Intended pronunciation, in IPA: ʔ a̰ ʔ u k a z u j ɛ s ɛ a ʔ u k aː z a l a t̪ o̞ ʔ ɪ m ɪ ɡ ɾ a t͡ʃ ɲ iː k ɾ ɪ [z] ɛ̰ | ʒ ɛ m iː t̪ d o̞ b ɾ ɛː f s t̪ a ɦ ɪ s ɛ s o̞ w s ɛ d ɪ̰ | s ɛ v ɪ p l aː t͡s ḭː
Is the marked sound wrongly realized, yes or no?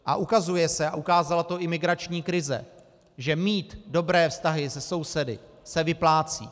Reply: no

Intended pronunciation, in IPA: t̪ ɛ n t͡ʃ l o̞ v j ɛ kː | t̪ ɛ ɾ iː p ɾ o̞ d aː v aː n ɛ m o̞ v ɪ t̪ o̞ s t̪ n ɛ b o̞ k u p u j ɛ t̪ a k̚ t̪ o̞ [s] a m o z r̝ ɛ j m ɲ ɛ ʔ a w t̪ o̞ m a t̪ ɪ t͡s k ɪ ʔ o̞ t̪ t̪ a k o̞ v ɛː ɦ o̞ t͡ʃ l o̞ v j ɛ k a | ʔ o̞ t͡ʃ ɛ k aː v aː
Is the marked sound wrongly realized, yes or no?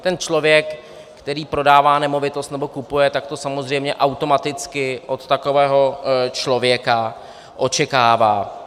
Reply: no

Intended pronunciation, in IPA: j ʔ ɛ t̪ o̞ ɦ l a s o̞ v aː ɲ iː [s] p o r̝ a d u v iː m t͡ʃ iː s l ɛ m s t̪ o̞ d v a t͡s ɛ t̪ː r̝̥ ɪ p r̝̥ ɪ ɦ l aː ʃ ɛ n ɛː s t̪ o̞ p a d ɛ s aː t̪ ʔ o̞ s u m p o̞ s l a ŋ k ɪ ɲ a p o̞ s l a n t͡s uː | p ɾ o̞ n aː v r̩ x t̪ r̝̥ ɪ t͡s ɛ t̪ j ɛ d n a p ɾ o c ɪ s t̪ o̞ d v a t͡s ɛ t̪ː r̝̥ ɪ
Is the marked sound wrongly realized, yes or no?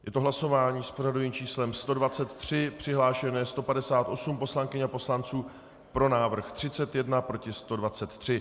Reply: no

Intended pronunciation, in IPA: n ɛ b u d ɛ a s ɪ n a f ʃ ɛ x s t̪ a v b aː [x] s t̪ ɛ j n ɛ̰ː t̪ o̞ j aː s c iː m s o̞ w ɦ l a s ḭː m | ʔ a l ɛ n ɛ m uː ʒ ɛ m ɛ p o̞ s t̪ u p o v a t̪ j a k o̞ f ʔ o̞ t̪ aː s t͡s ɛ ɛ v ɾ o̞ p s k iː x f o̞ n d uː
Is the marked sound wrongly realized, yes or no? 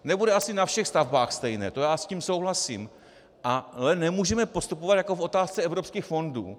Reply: no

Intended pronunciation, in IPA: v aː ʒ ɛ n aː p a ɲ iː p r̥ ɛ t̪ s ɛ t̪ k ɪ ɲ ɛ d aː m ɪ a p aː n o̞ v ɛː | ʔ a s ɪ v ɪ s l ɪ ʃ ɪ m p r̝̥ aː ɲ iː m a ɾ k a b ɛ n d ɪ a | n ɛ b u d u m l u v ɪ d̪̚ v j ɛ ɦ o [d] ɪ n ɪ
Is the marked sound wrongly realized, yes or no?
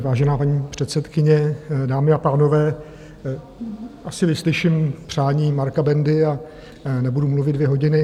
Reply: yes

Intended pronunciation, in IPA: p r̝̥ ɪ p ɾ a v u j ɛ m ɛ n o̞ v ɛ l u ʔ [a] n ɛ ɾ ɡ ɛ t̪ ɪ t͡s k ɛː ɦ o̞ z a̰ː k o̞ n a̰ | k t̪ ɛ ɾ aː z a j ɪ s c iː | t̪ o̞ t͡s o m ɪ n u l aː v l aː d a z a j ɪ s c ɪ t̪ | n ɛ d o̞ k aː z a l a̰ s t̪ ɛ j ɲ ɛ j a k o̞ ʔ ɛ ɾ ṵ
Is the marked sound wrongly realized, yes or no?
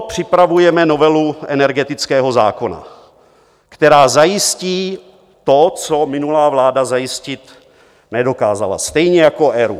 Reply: yes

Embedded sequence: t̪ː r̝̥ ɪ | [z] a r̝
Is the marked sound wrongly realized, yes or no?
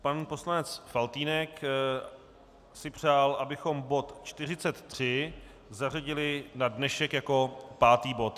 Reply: no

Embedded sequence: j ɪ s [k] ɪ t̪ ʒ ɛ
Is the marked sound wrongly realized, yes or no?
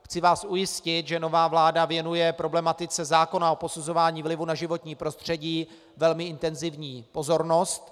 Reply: yes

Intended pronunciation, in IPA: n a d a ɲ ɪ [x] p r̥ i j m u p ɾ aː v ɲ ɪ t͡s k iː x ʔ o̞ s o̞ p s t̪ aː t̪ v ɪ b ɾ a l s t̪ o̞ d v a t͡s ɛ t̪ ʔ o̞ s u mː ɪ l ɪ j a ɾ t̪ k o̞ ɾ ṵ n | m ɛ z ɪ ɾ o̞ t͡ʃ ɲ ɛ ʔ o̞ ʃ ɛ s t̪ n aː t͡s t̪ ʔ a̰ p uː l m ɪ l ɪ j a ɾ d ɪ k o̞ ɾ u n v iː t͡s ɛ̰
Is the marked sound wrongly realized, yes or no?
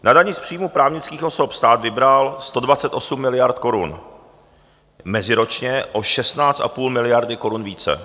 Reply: yes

